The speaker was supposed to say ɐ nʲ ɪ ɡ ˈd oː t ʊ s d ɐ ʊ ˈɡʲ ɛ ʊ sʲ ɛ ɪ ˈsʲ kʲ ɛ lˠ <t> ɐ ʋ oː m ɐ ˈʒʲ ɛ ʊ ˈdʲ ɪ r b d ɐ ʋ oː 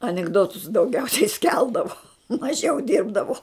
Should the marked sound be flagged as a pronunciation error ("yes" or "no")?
yes